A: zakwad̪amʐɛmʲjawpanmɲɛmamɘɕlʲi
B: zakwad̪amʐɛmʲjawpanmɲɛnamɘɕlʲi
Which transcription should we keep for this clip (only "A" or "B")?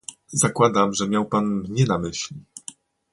B